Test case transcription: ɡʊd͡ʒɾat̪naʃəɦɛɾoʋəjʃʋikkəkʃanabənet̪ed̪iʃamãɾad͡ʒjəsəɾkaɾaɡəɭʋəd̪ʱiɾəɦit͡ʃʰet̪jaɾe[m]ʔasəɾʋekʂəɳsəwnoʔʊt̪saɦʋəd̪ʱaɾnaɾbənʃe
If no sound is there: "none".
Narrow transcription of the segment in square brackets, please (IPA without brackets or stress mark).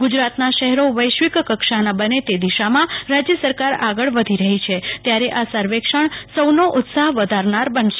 none